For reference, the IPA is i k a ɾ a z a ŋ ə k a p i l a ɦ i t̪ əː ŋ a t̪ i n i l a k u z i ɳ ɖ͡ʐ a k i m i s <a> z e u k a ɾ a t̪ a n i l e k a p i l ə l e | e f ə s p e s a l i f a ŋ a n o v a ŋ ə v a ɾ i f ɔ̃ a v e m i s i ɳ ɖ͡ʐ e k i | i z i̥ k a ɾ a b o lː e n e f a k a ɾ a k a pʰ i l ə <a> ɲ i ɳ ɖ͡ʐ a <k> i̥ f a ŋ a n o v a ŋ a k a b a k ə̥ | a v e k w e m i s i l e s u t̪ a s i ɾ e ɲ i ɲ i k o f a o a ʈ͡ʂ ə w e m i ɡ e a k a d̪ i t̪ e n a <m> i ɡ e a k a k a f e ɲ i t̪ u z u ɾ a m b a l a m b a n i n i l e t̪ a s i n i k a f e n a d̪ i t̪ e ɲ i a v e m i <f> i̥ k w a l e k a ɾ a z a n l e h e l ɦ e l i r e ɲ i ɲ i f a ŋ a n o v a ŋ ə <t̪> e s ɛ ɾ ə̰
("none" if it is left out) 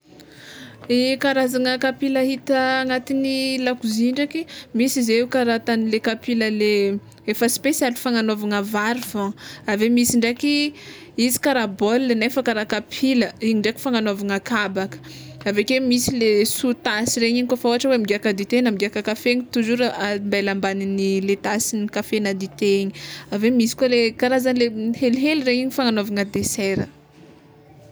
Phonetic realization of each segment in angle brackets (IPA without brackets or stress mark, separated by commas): i, i, k, m, s, d̪